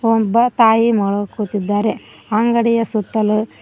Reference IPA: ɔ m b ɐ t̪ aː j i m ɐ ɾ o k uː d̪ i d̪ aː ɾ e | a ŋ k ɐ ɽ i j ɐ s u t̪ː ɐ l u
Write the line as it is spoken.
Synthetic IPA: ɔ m b ɐ t̪ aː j i m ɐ ɭ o k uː t̪ i d̪ː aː ɾ e | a ŋ ɡ ɐ ɽ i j ɐ s u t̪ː ɐ l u